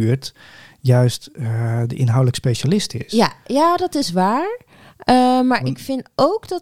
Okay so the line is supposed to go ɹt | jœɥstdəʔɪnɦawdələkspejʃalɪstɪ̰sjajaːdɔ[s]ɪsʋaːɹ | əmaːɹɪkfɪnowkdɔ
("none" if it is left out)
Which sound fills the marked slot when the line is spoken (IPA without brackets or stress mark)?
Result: t